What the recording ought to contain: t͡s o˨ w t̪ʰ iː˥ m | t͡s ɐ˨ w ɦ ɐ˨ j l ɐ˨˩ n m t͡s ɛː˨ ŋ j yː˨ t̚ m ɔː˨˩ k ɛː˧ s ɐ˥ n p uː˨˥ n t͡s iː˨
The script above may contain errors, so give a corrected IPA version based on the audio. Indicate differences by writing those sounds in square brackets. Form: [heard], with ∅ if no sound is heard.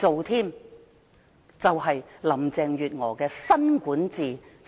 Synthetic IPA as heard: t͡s o˨ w t̪ʰ iː˥ m | t͡s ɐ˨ w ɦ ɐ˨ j l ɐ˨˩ [∅] m t͡s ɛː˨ ŋ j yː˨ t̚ [ŋ] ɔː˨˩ k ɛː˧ s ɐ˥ n [k] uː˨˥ n t͡s iː˨

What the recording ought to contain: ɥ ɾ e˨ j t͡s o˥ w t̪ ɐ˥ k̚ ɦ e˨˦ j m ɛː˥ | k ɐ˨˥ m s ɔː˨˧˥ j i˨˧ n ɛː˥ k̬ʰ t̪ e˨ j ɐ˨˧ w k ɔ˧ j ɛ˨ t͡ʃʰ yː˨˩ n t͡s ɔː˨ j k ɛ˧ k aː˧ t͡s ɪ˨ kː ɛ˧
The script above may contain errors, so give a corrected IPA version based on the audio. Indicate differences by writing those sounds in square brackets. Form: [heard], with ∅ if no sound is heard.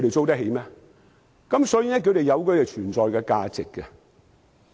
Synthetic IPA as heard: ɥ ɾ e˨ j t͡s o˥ w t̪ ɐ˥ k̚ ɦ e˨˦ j m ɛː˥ | k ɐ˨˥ m s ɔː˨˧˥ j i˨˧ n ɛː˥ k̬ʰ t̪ e˨ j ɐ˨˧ w k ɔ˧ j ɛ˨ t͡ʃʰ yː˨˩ n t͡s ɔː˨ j k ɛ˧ k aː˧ t͡s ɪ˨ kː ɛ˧

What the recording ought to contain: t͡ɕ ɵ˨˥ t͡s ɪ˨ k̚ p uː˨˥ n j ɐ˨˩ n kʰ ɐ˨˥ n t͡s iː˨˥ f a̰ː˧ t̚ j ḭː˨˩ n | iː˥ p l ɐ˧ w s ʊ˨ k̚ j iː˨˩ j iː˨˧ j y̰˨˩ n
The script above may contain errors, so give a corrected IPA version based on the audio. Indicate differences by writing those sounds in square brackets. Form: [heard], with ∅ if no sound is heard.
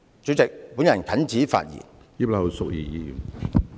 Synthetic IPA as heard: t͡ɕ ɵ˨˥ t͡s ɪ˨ k̚ p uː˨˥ n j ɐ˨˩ n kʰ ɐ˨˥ n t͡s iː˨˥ f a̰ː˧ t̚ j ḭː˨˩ n | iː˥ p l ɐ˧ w s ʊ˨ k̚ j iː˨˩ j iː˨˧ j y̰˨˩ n

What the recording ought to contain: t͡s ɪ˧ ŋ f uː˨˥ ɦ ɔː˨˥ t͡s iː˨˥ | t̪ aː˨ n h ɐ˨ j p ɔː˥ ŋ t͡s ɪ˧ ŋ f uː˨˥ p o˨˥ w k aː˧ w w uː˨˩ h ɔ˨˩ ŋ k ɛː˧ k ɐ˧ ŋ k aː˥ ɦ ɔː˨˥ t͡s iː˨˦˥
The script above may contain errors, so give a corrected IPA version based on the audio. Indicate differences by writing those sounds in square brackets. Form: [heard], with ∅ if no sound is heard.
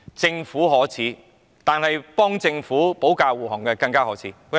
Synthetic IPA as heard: t͡s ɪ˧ ŋ f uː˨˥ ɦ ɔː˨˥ [t͡sʰ] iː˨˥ | t̪ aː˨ n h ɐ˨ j p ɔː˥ ŋ t͡s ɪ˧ ŋ f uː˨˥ p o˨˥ w k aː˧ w w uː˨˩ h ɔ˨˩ ŋ k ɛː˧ k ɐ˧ ŋ k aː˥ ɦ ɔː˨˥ [t͡sʰ] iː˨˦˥

